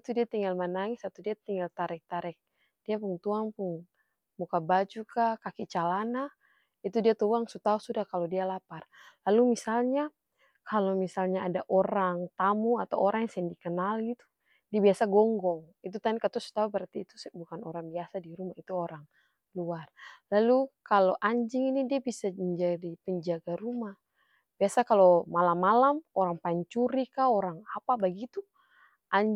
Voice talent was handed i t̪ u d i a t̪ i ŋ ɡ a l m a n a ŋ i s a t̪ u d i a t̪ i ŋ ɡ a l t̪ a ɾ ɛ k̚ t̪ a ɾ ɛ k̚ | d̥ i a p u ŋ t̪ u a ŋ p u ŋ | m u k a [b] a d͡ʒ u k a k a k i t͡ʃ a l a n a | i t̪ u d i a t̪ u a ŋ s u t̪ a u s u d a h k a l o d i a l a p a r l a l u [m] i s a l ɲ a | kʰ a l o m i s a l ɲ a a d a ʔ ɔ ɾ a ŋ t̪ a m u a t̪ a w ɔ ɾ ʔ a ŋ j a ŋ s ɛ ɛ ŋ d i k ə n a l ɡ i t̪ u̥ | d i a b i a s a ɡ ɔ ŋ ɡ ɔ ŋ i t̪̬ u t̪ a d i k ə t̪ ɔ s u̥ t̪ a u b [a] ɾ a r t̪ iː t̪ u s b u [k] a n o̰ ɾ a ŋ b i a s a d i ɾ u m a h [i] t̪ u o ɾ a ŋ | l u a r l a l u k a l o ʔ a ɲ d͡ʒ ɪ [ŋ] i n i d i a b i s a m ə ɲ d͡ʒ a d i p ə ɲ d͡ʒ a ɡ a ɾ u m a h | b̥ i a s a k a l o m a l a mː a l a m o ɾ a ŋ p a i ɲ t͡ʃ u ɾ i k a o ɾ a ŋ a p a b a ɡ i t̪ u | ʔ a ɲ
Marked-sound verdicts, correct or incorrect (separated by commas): correct, correct, incorrect, correct, correct, correct